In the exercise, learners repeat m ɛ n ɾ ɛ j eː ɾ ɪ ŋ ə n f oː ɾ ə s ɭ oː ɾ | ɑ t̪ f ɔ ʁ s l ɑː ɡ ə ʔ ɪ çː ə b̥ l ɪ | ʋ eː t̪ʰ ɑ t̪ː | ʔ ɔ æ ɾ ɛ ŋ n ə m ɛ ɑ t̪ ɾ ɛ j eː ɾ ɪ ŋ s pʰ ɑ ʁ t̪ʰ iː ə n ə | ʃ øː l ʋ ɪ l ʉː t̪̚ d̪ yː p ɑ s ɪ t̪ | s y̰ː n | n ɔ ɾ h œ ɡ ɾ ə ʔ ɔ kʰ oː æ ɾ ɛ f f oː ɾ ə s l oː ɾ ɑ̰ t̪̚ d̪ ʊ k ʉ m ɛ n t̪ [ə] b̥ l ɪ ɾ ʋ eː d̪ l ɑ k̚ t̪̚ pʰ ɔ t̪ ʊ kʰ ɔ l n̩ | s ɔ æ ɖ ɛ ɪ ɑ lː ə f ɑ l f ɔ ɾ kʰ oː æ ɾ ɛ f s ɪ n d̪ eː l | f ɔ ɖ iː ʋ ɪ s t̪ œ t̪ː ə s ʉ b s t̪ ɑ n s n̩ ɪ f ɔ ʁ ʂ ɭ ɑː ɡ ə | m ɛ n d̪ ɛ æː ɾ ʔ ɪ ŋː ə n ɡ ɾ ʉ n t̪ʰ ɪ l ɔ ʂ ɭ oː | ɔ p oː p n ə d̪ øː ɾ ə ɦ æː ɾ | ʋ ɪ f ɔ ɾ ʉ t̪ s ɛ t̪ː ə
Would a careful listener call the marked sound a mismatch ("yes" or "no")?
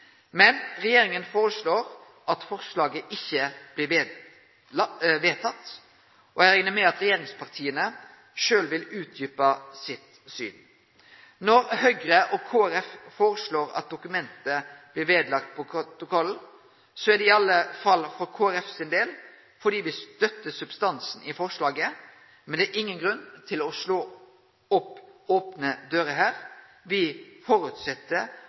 no